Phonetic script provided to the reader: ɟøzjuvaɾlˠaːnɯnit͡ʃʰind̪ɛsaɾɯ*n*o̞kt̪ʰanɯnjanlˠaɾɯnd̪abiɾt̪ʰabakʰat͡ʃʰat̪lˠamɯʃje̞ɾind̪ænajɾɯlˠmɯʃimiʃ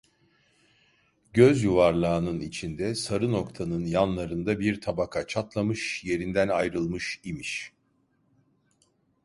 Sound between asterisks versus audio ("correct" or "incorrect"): correct